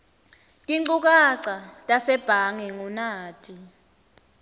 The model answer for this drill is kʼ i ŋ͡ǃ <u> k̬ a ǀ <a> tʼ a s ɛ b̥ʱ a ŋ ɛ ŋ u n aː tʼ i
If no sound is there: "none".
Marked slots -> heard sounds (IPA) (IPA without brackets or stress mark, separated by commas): u, a